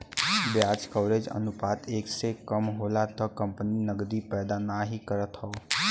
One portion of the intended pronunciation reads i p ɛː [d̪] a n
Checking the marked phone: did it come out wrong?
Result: no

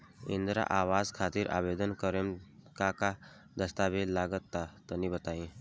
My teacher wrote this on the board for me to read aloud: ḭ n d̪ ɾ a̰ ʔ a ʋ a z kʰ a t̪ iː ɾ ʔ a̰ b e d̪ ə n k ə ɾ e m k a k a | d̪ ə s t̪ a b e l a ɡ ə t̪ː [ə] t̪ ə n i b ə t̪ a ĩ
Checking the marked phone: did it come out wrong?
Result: yes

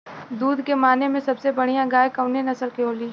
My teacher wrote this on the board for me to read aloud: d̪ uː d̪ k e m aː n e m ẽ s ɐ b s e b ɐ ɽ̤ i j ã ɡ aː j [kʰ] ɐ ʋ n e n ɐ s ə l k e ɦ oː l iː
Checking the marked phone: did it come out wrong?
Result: yes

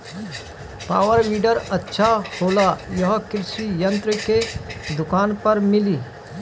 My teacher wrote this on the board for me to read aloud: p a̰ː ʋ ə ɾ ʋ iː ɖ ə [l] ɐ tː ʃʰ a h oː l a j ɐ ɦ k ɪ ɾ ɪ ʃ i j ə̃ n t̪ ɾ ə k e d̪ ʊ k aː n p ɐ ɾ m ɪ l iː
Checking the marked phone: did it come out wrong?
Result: yes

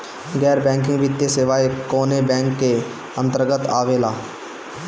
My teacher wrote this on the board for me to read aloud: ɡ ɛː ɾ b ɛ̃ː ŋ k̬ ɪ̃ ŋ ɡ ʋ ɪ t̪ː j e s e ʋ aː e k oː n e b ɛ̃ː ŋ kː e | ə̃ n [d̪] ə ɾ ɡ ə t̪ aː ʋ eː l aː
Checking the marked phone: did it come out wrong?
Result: yes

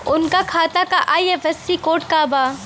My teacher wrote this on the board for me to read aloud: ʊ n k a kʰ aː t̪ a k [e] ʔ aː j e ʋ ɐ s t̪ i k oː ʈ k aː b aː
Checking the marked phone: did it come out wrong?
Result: yes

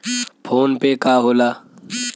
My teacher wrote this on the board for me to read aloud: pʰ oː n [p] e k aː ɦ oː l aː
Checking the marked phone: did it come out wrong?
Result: no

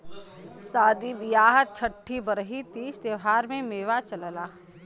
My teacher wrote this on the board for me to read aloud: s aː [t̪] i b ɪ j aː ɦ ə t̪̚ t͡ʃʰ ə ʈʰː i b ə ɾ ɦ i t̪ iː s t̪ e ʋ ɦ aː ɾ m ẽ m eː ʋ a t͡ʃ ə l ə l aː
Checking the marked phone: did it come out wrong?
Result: yes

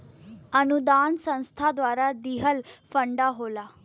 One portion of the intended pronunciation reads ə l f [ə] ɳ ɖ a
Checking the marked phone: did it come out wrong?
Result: no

